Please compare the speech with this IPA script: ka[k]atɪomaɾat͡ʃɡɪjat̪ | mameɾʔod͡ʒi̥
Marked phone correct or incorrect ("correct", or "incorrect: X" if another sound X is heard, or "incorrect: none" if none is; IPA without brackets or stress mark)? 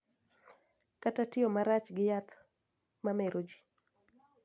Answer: incorrect: t